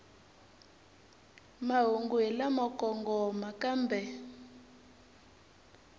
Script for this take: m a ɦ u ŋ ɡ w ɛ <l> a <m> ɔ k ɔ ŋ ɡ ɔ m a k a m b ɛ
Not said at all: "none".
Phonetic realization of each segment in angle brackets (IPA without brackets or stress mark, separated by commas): l, m